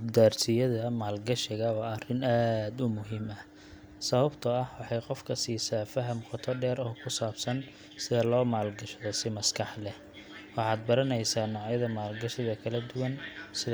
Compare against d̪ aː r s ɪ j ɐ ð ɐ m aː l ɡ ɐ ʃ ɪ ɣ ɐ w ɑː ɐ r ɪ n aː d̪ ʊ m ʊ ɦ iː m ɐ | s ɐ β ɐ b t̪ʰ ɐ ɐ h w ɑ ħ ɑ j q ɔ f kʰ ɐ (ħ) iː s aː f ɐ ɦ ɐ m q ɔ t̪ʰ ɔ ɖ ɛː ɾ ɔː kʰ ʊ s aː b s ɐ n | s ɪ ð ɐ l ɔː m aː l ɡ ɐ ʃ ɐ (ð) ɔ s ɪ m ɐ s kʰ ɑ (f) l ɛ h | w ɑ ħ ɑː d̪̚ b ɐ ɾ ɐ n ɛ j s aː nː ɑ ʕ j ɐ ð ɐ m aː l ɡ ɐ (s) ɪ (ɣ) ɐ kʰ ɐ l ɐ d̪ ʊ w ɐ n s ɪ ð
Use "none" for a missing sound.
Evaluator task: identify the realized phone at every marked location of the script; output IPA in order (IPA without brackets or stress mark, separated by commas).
s, ð, ħ, ʃ, ð